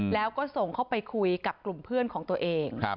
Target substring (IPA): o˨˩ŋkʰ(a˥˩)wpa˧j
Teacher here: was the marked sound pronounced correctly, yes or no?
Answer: yes